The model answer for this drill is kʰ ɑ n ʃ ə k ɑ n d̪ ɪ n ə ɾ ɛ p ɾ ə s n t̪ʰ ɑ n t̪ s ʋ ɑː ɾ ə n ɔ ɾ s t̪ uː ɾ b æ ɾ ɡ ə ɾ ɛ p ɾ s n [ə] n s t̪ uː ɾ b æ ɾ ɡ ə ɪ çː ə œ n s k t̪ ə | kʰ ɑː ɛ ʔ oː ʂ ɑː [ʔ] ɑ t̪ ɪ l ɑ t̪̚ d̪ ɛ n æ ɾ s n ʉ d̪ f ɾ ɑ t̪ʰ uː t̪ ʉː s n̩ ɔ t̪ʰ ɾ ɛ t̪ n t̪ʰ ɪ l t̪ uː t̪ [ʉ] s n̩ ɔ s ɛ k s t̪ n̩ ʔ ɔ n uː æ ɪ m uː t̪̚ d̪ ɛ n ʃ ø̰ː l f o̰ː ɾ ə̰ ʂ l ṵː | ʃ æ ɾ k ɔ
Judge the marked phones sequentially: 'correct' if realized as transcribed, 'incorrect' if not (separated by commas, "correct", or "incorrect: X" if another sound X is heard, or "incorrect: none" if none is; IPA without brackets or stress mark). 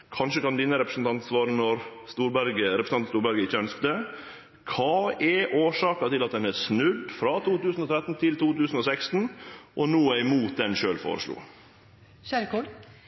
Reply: incorrect: ɑ, incorrect: k, incorrect: ʉː